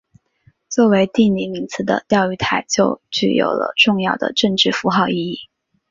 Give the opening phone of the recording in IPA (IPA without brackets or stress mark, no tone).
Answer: t͡s